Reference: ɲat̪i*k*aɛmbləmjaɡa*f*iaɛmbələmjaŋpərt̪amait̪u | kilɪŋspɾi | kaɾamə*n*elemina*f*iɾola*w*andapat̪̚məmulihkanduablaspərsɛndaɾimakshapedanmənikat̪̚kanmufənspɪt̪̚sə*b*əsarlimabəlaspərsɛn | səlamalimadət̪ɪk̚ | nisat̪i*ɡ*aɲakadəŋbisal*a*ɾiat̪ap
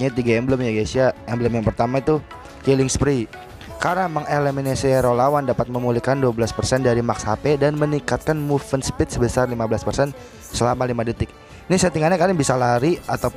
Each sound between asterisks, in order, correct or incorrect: incorrect: ɡ, incorrect: s, incorrect: ŋ, incorrect: s, correct, correct, incorrect: ŋ, correct

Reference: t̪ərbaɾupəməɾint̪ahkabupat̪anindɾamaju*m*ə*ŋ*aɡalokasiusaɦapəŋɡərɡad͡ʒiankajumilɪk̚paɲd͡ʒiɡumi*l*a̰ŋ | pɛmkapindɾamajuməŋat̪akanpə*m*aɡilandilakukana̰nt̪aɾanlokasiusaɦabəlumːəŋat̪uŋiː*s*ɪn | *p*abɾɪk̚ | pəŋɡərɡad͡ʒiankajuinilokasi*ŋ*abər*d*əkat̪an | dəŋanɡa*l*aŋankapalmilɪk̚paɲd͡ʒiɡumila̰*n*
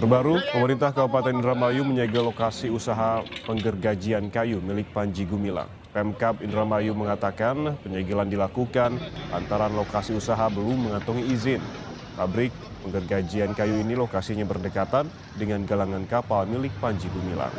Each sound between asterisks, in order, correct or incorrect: correct, incorrect: ɲ, correct, incorrect: ɲ, incorrect: z, correct, incorrect: ɲ, correct, correct, incorrect: ŋ

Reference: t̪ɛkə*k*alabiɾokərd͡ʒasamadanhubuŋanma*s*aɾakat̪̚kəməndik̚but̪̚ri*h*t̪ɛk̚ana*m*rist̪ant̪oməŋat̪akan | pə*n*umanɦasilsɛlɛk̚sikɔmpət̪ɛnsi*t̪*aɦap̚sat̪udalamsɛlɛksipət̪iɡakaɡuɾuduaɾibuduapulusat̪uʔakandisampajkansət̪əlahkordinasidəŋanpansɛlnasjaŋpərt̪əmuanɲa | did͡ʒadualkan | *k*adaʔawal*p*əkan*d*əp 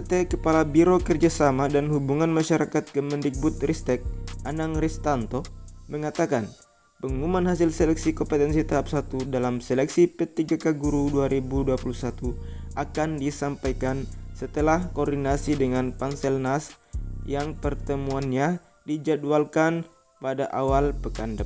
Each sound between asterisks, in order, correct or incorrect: incorrect: p, incorrect: ʃ, incorrect: s, incorrect: ŋ, incorrect: ŋ, correct, incorrect: p, correct, correct

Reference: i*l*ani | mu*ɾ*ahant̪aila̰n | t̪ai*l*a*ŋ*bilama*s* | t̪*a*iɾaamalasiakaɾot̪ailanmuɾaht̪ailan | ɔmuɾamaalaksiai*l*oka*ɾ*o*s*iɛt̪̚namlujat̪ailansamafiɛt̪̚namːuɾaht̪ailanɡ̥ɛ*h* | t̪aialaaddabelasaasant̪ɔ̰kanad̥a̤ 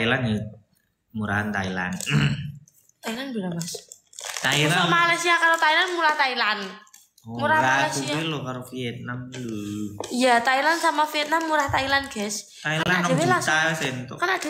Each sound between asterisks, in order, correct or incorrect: correct, correct, correct, incorrect: n, correct, correct, correct, correct, incorrect: f, incorrect: s

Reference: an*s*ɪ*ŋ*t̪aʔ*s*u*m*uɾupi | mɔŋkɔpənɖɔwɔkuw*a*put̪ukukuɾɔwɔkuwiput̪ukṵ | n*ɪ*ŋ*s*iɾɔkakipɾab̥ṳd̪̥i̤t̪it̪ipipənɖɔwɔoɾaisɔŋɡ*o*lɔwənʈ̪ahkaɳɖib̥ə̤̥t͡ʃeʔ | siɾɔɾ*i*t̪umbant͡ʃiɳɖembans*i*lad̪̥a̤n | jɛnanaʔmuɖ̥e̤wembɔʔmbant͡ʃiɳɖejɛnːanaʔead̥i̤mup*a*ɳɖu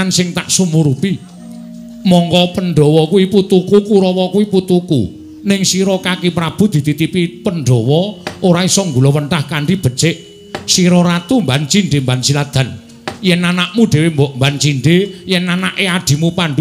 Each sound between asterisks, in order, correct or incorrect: correct, correct, correct, correct, incorrect: i, correct, correct, incorrect: u, incorrect: a, correct, correct

